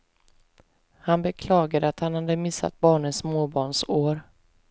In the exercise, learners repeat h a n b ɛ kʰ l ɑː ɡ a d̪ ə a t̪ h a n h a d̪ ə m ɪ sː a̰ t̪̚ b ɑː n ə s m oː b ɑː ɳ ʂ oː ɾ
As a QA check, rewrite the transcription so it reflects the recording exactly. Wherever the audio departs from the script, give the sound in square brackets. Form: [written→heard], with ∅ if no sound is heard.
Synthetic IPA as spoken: h a n b ɛ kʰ l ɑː ɡ a d̪ ə a t̪ h a n h a d̪ ə m ɪ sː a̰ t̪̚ b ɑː [n→ɳ] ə s m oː b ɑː ɳ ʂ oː ɾ

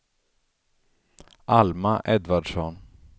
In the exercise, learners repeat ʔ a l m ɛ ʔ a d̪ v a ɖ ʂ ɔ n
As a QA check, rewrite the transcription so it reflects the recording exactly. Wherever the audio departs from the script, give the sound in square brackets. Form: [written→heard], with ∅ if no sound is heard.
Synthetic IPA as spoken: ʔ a l m [ɛ→a] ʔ [a→ɛ] d̪ v a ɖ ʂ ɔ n

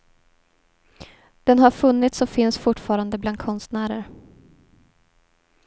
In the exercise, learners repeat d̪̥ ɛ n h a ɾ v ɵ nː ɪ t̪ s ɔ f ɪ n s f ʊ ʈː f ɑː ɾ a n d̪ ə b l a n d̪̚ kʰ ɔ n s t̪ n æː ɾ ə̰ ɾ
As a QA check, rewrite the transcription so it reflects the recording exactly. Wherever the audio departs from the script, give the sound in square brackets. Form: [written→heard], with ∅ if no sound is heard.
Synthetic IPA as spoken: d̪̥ ɛ n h a ɾ [v→f] ɵ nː ɪ t̪ s ɔ f ɪ n s f ʊ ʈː f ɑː ɾ a n d̪ ə b l a n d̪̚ kʰ ɔ n s t̪ n æː ɾ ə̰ ɾ

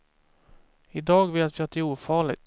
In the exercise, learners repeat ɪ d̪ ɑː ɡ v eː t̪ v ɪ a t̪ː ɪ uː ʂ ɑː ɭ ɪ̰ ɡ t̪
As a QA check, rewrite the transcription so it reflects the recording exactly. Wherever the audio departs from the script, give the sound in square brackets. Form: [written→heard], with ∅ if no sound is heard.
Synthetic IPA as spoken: ɪ d̪ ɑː ɡ v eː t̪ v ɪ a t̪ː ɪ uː [ʂ→f] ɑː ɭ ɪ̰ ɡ t̪

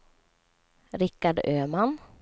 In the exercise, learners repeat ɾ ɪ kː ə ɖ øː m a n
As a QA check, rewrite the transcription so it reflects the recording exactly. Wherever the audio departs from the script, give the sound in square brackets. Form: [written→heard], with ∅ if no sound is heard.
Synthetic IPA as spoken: ɾ ɪ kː [ə→a] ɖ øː m a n

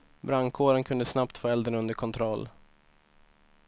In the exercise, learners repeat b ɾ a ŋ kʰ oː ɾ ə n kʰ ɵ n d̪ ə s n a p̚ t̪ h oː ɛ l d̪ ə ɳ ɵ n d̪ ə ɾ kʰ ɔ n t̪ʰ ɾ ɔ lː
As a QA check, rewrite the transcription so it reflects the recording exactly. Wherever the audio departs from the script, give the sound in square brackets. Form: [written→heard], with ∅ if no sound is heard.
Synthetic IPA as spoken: b ɾ a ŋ kʰ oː ɾ ə n kʰ ɵ n d̪ ə s n a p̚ t̪ [h→f] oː ɛ l d̪ ə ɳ ɵ n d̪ ə ɾ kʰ ɔ n t̪ʰ ɾ ɔ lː

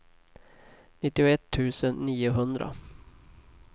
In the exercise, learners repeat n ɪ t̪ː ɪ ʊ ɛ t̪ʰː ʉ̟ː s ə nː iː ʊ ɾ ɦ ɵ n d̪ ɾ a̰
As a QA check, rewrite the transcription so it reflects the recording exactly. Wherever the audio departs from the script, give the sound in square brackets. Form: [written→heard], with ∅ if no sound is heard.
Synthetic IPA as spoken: n ɪ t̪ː ɪ ʊ ɛ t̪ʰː ʉ̟ː s ə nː iː ʊ [ɾ→∅] ɦ ɵ n d̪ ɾ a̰

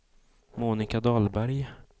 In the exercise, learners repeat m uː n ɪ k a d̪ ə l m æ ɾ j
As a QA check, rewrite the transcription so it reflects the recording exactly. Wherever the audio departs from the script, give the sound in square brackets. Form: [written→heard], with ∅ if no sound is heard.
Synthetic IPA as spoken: m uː n ɪ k a d̪ [ə→ɑ] l [m→b] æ ɾ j

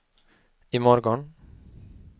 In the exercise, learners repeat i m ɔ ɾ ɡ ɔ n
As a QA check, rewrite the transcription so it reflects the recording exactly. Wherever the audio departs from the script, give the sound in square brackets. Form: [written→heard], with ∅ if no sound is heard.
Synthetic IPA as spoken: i m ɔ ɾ ɡ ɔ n

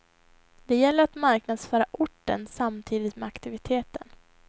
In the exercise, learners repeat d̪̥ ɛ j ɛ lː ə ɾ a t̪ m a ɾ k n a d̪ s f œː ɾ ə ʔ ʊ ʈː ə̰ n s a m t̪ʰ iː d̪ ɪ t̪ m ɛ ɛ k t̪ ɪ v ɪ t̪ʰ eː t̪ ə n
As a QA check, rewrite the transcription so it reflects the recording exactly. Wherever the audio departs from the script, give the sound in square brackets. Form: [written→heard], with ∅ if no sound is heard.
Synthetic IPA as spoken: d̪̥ ɛ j ɛ lː ə ɾ a t̪ m a ɾ k n a d̪ s f œː ɾ [ə→a] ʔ ʊ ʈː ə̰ n s a m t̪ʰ iː d̪ ɪ t̪ m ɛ [ɛ→a] k t̪ ɪ v ɪ t̪ʰ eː t̪ ə n

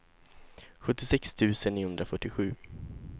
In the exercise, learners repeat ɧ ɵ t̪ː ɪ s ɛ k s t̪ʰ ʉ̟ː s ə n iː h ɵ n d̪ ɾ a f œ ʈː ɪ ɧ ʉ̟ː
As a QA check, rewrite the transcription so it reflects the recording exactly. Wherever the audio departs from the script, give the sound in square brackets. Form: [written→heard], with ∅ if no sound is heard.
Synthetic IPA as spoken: ɧ ɵ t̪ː ɪ s ɛ k s t̪ʰ ʉ̟ː s ə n iː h ɵ n d̪ ɾ a f œ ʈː ɪ ɧ ʉ̟ː

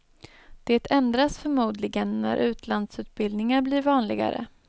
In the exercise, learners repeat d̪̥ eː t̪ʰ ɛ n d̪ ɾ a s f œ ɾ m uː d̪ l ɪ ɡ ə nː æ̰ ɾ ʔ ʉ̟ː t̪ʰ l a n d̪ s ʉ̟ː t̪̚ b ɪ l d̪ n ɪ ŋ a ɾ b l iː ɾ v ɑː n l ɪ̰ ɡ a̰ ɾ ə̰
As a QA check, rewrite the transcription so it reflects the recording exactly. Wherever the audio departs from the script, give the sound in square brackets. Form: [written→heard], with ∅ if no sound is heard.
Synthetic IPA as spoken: d̪̥ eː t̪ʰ ɛ n d̪ ɾ a s f œ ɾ m uː d̪ l ɪ ɡ ə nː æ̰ ɾ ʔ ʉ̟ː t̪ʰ l a n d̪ s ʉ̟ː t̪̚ b ɪ l d̪ n ɪ ŋ a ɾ b l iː ɾ v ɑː n l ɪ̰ ɡ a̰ ɾ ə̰

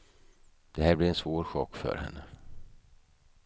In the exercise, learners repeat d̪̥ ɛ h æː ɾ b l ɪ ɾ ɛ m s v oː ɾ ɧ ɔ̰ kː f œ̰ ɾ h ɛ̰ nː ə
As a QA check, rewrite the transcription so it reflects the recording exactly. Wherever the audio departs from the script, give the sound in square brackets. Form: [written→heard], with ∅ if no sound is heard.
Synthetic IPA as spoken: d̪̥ ɛ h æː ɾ b l ɪ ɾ ɛ [m→n] s v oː ɾ ɧ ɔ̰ kː f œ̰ ɾ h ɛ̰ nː ə

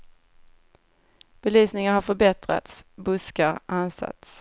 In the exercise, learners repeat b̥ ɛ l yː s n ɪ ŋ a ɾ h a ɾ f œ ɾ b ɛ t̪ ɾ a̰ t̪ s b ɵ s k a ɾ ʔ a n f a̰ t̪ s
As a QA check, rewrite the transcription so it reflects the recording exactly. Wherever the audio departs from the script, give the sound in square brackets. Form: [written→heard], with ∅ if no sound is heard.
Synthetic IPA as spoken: b̥ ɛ l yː s n ɪ ŋ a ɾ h a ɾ f œ ɾ b ɛ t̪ ɾ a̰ t̪ s b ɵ s k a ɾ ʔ a n [f→s] a̰ t̪ s

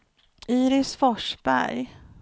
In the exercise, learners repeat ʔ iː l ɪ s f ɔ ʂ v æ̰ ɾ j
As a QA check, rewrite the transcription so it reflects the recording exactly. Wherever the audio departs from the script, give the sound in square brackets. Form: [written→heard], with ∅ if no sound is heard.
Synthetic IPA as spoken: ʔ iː [l→ɾ] ɪ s f ɔ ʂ [v→b] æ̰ ɾ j

